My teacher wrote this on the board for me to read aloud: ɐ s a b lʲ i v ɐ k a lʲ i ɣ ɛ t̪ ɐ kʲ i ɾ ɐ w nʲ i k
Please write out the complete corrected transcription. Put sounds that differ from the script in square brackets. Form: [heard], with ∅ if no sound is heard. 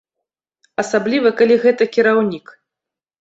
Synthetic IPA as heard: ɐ s a b lʲ i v ɐ k a lʲ i ɣ ɛ t̪ ɐ kʲ i ɾ [a] w nʲ i k